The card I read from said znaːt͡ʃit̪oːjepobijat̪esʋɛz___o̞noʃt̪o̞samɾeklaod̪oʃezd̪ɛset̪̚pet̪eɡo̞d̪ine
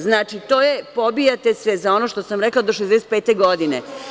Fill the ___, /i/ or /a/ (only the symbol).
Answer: a